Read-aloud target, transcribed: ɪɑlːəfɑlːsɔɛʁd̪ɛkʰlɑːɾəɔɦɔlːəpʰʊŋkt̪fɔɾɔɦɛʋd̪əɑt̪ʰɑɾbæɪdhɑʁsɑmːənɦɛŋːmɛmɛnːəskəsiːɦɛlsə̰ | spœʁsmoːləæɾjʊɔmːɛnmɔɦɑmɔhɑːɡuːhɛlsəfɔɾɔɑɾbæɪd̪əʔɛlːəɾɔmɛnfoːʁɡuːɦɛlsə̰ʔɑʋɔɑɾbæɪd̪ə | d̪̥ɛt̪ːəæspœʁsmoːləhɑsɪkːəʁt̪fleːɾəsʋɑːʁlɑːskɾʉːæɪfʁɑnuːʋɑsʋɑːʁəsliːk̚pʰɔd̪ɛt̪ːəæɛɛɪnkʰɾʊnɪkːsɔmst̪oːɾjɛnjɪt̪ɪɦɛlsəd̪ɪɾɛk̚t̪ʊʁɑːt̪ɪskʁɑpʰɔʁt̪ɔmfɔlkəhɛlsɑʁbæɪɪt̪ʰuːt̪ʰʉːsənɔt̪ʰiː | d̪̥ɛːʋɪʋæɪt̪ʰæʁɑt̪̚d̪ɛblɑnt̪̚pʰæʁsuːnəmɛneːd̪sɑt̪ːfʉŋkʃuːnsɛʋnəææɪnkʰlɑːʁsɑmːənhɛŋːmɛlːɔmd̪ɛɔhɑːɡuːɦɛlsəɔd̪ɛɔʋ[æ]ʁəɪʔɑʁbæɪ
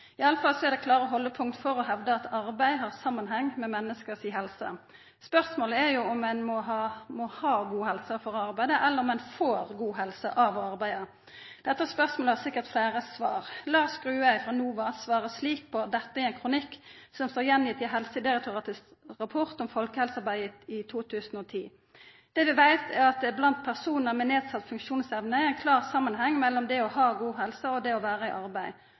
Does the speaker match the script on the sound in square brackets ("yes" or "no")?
no